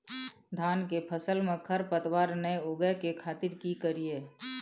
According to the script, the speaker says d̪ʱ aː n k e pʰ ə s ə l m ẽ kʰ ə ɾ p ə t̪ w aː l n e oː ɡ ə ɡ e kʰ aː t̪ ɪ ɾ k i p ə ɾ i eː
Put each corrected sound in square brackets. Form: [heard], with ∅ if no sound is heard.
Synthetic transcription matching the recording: d̪ʱ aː n k e pʰ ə s ə l m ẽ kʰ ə ɾ p ə t̪ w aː [ɾ] n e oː ɡ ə [k] e kʰ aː t̪ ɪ ɾ k i [k] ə ɾ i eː